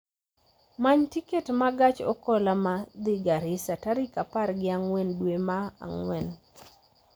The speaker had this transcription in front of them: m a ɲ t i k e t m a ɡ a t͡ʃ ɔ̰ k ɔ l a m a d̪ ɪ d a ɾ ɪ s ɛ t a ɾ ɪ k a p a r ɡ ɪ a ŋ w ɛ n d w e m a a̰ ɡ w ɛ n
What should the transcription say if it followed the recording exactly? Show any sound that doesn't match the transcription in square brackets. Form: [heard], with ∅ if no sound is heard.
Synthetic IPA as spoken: m a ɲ t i k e t m a ɡ a t͡ʃ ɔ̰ k ɔ l a m a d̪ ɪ [ɡ] a ɾ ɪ s [a] t a ɾ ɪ k a p a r ɡ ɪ a ŋ w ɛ n d w e m a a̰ [ŋ] w ɛ n